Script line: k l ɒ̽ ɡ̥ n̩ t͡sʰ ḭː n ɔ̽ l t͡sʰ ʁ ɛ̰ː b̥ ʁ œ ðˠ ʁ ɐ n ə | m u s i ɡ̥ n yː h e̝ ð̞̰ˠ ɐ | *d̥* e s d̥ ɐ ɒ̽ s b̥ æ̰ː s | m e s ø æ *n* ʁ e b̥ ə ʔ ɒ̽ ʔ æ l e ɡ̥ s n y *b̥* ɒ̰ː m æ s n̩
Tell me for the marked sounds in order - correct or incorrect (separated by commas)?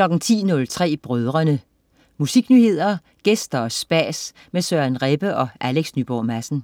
incorrect, correct, correct